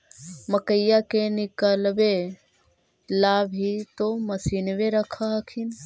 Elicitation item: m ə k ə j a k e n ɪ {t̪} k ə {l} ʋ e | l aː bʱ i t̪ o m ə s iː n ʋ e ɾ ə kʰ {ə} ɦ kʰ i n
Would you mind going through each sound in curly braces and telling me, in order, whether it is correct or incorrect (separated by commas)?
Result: incorrect, correct, incorrect